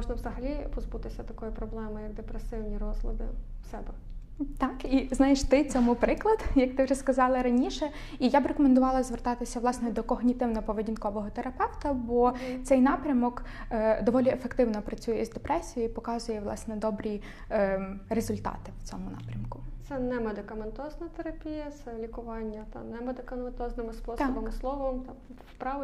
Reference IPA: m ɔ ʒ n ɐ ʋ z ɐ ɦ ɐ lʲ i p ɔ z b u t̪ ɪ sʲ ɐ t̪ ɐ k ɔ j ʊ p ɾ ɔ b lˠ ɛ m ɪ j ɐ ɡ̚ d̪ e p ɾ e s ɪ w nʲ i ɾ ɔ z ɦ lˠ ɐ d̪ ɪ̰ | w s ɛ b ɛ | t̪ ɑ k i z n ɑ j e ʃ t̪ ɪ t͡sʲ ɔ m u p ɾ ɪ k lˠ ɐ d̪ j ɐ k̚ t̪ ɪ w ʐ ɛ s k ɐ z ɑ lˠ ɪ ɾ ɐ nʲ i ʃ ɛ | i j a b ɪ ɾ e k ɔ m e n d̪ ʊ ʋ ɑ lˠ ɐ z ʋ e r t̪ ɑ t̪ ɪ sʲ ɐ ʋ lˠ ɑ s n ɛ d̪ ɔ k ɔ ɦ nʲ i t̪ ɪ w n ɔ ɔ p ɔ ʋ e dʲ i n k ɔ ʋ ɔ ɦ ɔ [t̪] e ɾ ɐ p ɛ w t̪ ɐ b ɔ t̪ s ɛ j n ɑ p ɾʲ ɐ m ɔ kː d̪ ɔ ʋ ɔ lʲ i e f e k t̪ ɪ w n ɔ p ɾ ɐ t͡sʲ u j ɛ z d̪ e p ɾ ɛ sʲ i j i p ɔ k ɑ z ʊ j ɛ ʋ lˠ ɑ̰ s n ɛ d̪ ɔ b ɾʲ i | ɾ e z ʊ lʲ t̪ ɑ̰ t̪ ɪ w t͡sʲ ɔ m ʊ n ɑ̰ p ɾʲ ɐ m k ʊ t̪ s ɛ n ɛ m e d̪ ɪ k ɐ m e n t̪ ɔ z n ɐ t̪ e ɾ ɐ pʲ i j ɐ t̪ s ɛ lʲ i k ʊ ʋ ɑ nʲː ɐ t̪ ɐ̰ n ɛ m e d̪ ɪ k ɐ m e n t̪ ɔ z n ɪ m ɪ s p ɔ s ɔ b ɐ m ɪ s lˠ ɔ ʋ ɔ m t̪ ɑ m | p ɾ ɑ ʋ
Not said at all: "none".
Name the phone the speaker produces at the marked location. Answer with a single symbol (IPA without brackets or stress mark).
t̪